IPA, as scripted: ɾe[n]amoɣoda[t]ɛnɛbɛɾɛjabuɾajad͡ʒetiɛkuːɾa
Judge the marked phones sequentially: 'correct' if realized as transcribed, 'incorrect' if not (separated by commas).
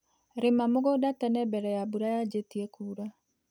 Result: incorrect, correct